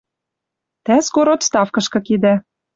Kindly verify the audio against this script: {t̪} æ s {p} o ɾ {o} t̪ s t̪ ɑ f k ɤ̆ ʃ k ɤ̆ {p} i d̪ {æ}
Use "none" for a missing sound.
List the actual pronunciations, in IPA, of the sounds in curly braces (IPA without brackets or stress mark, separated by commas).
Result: t̪, k, o, k, æ